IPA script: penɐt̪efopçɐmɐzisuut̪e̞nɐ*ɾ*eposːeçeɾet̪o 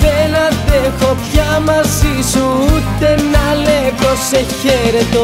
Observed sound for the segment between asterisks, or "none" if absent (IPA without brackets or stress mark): l